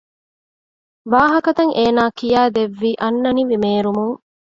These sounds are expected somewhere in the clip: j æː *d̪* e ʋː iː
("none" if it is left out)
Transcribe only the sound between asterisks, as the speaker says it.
d̪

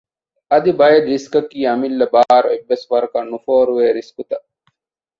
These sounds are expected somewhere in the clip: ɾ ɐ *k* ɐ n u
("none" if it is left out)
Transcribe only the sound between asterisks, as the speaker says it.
k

